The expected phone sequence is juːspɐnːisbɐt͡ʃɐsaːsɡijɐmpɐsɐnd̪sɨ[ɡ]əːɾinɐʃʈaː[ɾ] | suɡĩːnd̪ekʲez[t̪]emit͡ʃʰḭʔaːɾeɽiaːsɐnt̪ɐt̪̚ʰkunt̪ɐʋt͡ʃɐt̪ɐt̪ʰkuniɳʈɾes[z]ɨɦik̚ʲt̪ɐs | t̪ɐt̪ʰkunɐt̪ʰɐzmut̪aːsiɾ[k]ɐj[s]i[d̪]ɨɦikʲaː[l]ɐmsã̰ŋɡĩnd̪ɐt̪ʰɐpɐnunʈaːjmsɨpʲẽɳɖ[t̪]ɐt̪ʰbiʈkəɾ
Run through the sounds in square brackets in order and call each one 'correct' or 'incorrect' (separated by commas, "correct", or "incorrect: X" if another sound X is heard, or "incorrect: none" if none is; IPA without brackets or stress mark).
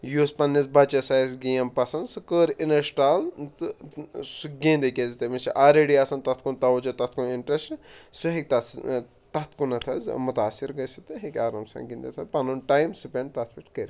incorrect: k, incorrect: l, correct, incorrect: s, incorrect: ɡ, correct, incorrect: t̪, incorrect: ɾ, correct